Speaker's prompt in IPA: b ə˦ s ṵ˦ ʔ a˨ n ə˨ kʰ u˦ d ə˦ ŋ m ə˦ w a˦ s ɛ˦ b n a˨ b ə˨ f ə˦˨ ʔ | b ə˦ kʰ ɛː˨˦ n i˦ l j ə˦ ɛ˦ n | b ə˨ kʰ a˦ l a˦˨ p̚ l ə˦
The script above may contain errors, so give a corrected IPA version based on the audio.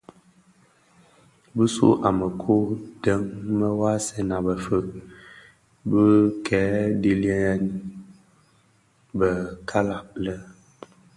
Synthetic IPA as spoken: b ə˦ s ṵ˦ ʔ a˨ m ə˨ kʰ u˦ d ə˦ ŋ m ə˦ w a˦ s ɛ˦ n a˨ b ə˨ f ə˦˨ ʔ | b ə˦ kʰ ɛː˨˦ d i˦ l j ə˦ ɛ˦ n | b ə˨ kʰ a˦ l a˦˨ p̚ l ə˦